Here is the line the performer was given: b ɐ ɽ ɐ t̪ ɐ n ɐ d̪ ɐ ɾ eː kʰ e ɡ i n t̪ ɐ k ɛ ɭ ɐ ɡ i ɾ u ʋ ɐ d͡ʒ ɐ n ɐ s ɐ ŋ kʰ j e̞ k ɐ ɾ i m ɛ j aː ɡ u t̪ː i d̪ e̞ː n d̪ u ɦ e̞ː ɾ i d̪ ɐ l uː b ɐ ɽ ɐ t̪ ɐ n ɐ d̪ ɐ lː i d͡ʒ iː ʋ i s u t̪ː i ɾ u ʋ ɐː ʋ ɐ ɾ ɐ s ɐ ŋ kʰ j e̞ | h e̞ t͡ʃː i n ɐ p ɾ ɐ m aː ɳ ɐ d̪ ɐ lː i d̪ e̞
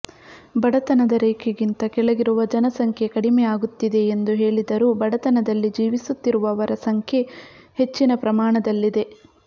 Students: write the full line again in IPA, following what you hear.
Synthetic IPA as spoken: b ɐ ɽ ɐ t̪ ɐ n ɐ d̪ ɐ ɾ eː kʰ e ɡ i n t̪ ɐ k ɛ ɭ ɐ ɡ i ɾ u ʋ ɐ d͡ʒ ɐ n ɐ s ɐ ŋ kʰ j e̞ k ɐ ɽ i m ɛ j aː ɡ u t̪ː i d̪ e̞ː n d̪ u ɦ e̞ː ɭ i d̪ ɐ ɾ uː b ɐ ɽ ɐ t̪ ɐ n ɐ d̪ ɐ lː i d͡ʒ iː ʋ i s u t̪ː i ɾ u ʋ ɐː ʋ ɐ ɾ ɐ s ɐ ŋ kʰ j e̞ | h e̞ t͡ʃː i n ɐ p ɾ ɐ m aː ɳ ɐ d̪ ɐ lː i d̪ e̞